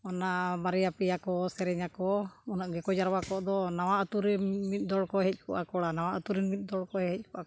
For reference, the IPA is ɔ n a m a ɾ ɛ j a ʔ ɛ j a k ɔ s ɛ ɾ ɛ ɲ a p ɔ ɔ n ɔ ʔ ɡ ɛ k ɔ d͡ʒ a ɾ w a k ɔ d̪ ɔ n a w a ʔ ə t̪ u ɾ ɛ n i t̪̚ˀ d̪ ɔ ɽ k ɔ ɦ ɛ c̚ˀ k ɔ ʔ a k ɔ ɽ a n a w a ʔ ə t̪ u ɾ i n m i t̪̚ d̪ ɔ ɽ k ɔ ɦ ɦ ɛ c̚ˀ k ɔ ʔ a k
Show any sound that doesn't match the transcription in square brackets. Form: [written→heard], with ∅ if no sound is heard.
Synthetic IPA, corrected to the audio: ɔ n a m a ɾ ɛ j a [ʔ→p] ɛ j a k ɔ s ɛ ɾ ɛ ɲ a [p→k] ɔ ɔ n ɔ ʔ ɡ ɛ k ɔ d͡ʒ a ɾ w a k ɔ d̪ ɔ n a w a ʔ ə t̪ u ɾ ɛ [n→m] i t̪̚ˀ d̪ ɔ ɽ k ɔ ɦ ɛ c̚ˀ k ɔ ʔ a k ɔ ɽ a n a w a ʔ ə t̪ u ɾ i n m i t̪̚ d̪ ɔ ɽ k ɔ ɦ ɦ ɛ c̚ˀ k ɔ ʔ a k